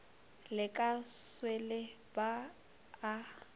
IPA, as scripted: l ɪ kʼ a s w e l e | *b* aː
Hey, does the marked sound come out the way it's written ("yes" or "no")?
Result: yes